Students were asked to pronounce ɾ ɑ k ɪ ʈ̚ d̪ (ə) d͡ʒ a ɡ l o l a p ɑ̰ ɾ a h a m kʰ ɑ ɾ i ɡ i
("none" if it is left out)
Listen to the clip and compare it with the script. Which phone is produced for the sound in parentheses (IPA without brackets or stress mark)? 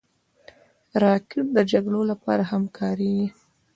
ə